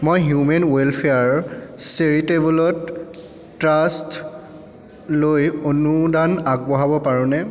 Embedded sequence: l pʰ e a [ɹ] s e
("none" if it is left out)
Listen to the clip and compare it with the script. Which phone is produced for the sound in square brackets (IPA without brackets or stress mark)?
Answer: ɹ